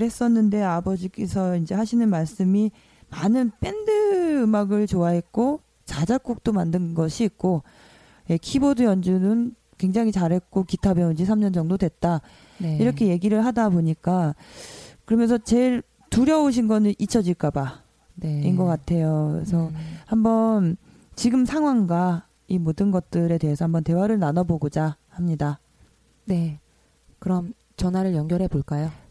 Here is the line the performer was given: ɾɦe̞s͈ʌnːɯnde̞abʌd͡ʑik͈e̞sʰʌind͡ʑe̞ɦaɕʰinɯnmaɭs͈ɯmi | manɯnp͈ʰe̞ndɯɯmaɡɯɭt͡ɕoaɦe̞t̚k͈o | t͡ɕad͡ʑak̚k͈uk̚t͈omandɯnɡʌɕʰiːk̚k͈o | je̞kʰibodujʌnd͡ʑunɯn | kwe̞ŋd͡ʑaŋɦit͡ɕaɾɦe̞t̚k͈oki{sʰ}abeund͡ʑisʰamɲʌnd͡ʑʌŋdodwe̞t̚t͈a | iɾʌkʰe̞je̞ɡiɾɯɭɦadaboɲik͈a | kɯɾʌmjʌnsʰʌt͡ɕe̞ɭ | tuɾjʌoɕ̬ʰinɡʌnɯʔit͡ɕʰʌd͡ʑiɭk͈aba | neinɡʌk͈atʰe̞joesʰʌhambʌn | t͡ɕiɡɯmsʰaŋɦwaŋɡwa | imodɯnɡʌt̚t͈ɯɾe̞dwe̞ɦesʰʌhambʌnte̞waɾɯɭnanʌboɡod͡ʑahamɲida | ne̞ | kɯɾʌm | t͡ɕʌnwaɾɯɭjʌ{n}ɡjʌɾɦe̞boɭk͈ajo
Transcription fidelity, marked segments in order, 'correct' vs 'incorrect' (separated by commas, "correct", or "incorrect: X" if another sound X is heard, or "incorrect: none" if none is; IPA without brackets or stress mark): incorrect: tʰ, incorrect: ŋ